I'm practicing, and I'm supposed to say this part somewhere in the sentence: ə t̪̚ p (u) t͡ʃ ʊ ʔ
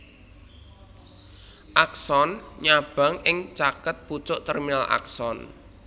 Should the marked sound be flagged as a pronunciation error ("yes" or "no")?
no